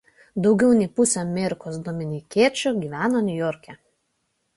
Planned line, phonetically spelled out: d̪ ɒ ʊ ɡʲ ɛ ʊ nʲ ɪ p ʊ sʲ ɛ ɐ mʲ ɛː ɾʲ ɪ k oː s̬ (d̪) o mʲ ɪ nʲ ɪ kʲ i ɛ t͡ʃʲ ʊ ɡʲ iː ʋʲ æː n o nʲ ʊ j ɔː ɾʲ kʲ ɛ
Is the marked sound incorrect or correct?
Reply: correct